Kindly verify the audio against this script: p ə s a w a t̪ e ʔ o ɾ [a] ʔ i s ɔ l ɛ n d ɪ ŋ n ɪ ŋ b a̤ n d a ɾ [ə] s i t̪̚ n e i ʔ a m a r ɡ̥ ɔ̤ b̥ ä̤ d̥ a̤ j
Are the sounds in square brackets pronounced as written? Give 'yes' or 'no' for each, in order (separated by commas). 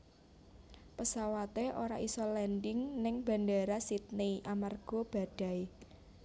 yes, no